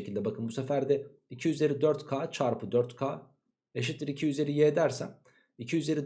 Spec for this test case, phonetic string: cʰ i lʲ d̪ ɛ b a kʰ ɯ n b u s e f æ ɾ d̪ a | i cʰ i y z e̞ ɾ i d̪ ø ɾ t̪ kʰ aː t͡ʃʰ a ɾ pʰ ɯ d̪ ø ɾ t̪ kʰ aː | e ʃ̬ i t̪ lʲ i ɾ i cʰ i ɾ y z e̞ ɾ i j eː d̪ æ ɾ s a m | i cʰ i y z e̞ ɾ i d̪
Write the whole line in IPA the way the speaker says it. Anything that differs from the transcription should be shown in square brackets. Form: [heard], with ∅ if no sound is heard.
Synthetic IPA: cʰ i lʲ d̪ ɛ b a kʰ ɯ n b u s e f æ ɾ d̪ [ɛ] | i cʰ i y z e̞ ɾ i d̪ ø ɾ t̪ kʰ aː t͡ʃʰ a ɾ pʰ ɯ d̪ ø ɾ t̪ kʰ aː | e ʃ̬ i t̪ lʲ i ɾ i cʰ i [∅] y z e̞ ɾ i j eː d̪ æ ɾ s [æ] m | i cʰ i y z e̞ ɾ i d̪